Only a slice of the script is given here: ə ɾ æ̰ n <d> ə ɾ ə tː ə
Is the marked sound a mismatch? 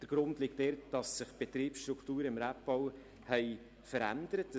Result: no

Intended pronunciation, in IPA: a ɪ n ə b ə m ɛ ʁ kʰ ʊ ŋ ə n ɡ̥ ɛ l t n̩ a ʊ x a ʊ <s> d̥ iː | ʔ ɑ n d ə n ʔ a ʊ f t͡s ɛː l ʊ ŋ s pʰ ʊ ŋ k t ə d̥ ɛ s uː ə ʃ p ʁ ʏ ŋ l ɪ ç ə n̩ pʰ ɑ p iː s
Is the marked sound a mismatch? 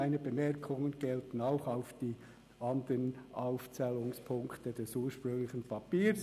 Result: yes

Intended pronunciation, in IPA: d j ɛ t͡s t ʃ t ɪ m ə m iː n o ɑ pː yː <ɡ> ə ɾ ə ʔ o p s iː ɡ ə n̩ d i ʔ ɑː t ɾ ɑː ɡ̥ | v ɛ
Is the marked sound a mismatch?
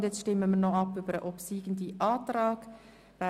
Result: yes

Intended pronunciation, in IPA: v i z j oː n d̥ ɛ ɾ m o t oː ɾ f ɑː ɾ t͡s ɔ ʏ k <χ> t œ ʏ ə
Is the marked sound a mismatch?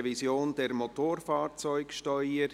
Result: yes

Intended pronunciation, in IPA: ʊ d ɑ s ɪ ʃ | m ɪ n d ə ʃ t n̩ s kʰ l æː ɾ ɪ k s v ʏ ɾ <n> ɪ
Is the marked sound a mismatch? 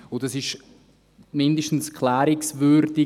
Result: yes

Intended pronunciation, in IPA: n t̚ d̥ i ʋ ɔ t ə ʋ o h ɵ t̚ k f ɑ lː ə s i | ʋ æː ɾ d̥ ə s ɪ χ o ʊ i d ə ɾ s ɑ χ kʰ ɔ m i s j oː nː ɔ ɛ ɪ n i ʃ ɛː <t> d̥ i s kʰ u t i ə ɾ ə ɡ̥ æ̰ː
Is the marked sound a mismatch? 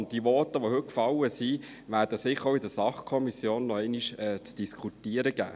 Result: yes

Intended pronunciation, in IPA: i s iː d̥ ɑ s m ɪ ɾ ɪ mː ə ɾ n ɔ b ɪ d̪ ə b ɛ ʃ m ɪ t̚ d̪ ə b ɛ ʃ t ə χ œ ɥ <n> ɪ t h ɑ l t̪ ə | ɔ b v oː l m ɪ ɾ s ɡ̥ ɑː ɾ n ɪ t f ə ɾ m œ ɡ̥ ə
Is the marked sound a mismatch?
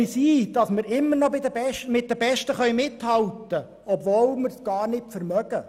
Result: yes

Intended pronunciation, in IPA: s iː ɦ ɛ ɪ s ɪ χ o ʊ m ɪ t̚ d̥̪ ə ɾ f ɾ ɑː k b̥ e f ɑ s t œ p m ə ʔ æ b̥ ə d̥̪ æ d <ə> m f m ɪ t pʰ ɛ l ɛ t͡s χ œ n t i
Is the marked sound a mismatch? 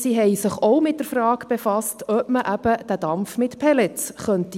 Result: yes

